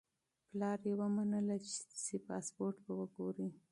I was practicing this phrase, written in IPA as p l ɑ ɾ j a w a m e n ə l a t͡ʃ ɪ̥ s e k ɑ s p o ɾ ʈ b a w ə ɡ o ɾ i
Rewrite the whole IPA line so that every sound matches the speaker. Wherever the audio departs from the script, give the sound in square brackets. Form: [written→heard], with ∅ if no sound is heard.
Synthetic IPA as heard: p l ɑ ɾ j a w a m [e→a] n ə l a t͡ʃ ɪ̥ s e [k→p] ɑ s p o ɾ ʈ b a w ə ɡ o ɾ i

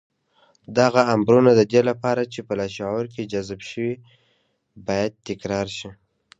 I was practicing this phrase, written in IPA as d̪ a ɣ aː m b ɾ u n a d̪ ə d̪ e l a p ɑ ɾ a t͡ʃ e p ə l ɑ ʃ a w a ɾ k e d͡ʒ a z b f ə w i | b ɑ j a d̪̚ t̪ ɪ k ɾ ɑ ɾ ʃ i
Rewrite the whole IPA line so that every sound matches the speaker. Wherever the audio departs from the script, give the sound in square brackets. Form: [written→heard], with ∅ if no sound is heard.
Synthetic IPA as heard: d̪ a ɣ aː m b ɾ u n a d̪ ə d̪ e l a p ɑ ɾ a t͡ʃ e p ə l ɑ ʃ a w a ɾ k e d͡ʒ a z b [f→ʃ] ə w i | b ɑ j a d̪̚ t̪ ɪ k ɾ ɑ ɾ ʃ i

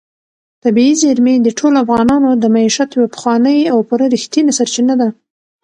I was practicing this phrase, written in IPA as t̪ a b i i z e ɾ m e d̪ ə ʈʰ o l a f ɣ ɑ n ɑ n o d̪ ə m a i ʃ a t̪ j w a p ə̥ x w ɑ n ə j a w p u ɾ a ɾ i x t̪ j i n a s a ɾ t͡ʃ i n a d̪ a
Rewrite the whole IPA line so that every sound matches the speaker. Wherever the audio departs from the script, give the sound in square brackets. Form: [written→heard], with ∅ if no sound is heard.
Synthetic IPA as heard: t̪ a b i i z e ɾ m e d̪ ə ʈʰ o l a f ɣ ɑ n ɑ n o d̪ ə m a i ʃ a t̪ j w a p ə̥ x w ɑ n ə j a w p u ɾ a ɾ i x t̪ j i n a s a ɾ t͡ʃ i n a d̪ a

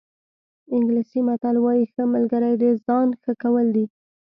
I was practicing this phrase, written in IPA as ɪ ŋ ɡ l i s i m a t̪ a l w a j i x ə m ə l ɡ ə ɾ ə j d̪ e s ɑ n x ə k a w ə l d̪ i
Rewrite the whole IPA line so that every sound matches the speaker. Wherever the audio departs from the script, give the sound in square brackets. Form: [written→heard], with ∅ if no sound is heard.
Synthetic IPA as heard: ɪ ŋ ɡ l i s i m a t̪ a l w [a→ɑ] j i x ə m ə l ɡ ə ɾ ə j d̪ e [s→z] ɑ n x ə k a w ə l d̪ i

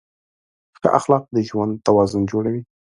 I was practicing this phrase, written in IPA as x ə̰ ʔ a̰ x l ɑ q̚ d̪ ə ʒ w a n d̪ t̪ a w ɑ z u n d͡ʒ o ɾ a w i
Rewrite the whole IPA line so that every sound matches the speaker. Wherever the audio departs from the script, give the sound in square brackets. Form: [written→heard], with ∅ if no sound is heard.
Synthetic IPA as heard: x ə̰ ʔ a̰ x l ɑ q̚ d̪ ə ʒ w a n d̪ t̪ a w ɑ z [u→ʊ] n d͡ʒ o [ɾ→ɽ] a w i

